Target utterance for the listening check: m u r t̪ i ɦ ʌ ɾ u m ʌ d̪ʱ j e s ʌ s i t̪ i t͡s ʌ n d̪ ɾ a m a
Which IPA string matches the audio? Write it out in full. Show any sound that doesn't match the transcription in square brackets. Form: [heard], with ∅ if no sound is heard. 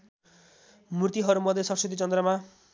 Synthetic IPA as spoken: m u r t̪ i ɦ ʌ ɾ u m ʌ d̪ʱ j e s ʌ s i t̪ i t͡s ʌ n d̪ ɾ [ʌ] m a